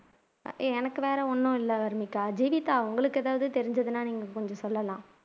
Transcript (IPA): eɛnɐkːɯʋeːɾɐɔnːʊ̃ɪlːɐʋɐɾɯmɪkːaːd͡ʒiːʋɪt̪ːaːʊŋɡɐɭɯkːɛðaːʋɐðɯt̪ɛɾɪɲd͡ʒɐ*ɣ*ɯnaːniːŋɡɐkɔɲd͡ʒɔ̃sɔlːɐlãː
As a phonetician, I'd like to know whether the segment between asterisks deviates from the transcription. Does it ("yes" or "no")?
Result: yes